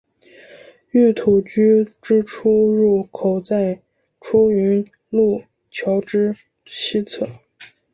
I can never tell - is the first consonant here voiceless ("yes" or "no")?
yes